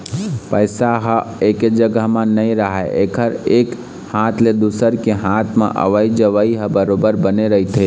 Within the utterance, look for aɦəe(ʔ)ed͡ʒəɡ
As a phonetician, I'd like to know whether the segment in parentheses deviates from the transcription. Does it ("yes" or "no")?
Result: yes